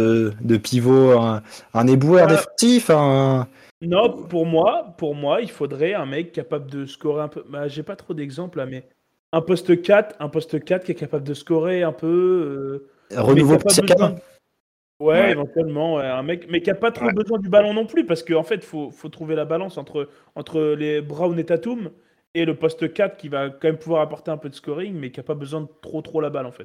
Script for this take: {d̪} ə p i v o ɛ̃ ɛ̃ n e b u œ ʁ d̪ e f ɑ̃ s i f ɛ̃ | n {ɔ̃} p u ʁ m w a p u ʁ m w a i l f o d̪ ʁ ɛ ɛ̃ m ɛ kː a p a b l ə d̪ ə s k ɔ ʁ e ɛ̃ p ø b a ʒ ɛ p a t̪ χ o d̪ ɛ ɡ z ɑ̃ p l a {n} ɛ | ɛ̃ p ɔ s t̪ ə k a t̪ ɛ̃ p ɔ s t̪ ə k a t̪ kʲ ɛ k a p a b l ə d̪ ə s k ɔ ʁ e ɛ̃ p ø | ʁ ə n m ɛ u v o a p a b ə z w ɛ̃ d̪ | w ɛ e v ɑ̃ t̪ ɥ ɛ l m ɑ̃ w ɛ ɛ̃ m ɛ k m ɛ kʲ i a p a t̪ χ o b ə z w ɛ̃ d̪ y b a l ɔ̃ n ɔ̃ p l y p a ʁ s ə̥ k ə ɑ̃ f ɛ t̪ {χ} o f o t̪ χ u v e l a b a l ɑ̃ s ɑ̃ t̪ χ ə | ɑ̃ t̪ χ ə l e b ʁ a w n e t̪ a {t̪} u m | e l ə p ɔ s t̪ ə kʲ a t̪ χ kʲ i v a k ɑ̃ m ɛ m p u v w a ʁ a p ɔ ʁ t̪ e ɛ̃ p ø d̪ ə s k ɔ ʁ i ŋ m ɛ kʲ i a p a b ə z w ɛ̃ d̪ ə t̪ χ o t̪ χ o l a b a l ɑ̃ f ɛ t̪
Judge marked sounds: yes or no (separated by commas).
yes, yes, no, no, yes